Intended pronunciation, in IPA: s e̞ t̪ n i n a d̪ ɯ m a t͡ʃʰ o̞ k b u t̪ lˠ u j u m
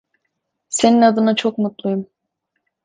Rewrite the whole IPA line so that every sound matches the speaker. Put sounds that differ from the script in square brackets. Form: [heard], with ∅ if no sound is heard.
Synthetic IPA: s e̞ [∅] n i n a d̪ ɯ [n] a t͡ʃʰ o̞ k [m] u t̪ lˠ u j u m